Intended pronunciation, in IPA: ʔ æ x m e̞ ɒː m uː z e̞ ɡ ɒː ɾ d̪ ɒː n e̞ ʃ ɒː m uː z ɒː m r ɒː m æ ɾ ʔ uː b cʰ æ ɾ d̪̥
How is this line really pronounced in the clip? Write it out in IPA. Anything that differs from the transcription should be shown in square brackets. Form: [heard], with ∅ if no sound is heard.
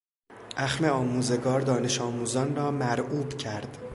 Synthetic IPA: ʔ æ x m e̞ ɒː m uː z e̞ ɡ ɒː ɾ d̪ ɒː n e̞ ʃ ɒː m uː z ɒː [n] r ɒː m æ ɾ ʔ uː b cʰ æ ɾ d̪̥